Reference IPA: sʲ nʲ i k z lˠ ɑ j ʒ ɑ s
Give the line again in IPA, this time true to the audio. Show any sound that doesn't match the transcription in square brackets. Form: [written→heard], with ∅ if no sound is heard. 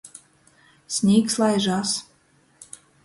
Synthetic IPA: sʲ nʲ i k [z→s] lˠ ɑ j ʒ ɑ s